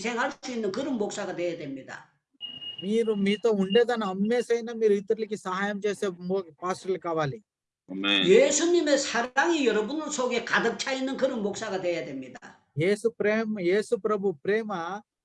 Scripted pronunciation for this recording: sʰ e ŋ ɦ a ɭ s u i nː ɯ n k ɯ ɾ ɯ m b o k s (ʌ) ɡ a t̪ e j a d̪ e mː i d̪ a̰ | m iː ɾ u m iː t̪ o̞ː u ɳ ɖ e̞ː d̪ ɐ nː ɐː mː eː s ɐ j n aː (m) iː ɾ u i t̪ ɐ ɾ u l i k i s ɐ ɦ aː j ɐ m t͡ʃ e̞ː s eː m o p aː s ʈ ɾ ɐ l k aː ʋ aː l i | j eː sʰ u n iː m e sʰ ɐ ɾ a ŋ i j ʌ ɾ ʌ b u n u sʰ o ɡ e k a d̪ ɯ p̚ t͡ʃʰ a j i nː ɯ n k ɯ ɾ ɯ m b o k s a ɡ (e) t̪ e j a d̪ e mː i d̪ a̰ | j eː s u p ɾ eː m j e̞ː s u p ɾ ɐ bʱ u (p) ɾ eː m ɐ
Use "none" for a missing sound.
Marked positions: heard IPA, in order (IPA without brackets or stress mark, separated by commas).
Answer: a, m, a, p